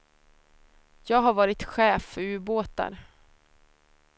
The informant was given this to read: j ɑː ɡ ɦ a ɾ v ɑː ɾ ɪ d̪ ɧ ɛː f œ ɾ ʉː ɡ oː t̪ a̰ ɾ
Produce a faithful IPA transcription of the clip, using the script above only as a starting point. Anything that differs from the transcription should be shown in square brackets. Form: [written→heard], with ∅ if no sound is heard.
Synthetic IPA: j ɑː ɡ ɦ a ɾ v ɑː ɾ ɪ [d̪→t̪] ɧ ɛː f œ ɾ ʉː [ɡ→b] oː t̪ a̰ ɾ